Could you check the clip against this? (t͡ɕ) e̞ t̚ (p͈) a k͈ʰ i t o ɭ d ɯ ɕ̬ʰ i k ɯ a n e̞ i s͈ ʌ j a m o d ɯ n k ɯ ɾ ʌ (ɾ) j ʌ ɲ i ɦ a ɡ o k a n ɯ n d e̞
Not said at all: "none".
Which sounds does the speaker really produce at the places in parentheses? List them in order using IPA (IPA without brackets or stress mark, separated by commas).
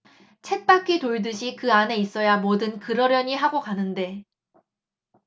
t͡ɕʰ, p͈, ɾ